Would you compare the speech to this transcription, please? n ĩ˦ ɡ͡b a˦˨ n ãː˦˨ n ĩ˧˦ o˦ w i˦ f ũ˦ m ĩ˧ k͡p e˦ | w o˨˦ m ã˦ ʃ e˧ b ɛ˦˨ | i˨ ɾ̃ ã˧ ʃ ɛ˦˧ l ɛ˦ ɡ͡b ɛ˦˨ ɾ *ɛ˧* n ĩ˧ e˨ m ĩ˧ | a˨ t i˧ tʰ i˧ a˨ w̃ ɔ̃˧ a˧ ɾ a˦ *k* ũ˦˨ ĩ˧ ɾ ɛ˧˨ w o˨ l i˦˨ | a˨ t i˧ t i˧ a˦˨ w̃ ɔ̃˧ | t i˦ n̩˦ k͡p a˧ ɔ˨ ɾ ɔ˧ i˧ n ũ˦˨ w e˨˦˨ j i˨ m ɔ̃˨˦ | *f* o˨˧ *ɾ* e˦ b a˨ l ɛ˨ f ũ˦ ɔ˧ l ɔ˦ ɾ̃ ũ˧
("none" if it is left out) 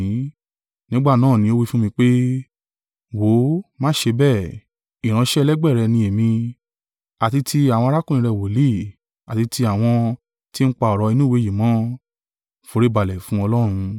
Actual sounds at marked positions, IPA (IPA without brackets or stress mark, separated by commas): ɛ˧, k, f, ɾ